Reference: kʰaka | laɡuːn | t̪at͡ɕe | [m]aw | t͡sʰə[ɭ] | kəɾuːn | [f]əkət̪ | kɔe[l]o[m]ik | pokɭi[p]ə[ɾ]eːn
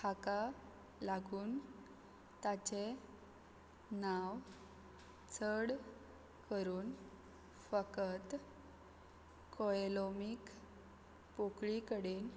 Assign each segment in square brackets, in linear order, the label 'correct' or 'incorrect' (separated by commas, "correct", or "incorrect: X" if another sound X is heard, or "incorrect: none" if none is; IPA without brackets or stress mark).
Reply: incorrect: n, incorrect: ɽ, correct, correct, correct, incorrect: k, incorrect: ɽ